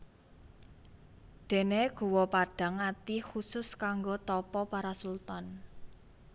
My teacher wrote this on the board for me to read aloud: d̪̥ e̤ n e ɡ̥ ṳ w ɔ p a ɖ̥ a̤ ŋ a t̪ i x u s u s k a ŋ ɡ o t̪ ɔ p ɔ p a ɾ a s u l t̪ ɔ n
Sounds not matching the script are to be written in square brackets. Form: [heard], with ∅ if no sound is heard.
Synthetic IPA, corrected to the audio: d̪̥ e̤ n e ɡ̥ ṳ w ɔ p a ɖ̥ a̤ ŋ a t̪ i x u s [ʊ] s k a ŋ ɡ o t̪ ɔ p ɔ p a ɾ a s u l t̪ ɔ n